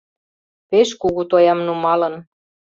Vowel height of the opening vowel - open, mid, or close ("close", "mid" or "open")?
mid